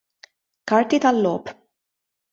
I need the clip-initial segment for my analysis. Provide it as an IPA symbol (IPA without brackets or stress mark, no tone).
k